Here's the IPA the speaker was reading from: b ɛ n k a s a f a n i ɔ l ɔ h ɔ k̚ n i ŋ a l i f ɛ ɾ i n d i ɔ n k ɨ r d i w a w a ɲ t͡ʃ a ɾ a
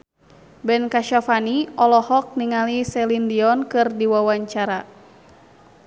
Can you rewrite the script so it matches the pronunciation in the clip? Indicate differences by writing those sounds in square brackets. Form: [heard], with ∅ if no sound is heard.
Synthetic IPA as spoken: b ɛ n k a [ʃ] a f a n i ɔ l ɔ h ɔ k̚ n i ŋ a l i [s] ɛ [l] i n d i ɔ n k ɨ r d i w a w a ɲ t͡ʃ a ɾ a